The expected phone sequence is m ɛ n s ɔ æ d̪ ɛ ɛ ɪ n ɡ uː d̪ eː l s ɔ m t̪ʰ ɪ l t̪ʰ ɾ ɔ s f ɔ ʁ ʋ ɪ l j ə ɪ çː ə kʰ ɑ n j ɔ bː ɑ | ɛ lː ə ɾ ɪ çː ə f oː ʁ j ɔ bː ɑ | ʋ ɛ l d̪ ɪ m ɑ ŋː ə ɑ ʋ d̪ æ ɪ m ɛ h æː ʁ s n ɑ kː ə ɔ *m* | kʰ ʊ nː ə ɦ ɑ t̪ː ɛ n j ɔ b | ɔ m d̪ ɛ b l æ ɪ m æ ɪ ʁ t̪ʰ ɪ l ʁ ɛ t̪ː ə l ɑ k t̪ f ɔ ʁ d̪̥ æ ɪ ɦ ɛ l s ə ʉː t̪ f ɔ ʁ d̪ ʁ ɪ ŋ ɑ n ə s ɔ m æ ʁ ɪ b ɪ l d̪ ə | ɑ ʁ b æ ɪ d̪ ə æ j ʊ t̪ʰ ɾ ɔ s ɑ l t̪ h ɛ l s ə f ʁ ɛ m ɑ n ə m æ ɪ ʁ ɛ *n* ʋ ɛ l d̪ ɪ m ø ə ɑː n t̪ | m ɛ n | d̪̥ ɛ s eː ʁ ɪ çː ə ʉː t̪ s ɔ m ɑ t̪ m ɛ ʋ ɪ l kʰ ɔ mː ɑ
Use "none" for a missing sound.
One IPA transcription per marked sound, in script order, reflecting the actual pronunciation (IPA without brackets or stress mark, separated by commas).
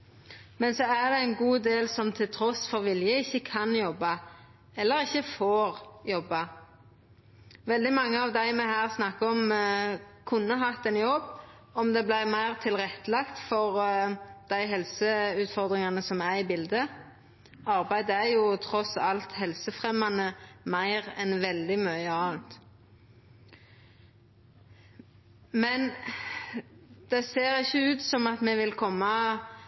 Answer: m, n